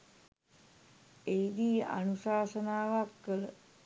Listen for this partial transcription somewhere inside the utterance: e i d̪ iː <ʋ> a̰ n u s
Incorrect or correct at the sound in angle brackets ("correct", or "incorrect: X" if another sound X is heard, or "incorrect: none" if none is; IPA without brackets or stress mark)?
incorrect: none